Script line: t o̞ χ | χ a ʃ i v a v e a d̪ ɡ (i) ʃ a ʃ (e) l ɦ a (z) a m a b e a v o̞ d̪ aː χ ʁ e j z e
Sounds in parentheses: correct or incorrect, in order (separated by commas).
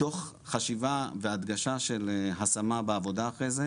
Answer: incorrect, correct, incorrect